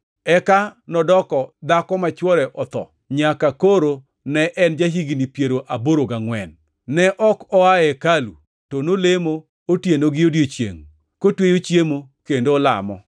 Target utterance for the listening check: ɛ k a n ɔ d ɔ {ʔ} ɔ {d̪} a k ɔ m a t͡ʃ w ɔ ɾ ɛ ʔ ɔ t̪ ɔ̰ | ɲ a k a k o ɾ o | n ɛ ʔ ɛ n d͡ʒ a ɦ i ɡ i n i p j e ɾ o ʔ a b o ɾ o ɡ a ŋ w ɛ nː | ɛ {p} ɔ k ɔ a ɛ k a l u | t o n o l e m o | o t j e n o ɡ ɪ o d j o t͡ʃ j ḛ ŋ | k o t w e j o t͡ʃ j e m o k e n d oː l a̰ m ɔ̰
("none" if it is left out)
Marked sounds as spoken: k, d̪, ʔ

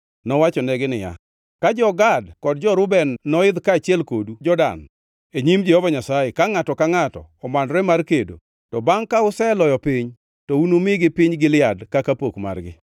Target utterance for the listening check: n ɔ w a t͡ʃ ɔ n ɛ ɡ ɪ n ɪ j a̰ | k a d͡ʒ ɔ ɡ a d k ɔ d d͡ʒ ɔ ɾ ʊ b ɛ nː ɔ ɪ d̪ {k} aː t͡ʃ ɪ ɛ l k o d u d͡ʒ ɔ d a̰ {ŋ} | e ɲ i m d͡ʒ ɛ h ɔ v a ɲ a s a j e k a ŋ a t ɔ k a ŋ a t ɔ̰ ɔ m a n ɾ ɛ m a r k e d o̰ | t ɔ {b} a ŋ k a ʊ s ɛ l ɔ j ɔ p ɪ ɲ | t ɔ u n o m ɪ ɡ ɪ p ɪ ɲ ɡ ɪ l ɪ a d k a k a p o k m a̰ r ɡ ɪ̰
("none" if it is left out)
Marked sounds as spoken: k, n, b

